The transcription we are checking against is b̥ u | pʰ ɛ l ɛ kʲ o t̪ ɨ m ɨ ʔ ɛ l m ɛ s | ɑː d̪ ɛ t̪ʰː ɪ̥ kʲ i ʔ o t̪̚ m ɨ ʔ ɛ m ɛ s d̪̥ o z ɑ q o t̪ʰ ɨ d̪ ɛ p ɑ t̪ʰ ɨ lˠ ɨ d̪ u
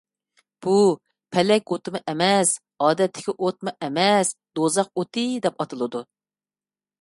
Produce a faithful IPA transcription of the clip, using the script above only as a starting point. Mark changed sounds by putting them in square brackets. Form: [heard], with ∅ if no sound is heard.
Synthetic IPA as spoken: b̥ u | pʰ ɛ l ɛ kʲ o t̪ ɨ m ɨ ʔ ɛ [∅] m ɛ s | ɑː d̪ ɛ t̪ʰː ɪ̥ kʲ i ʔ o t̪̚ m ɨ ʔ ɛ m ɛ s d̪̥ o z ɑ q o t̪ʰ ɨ d̪ ɛ p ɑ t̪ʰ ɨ lˠ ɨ d̪ u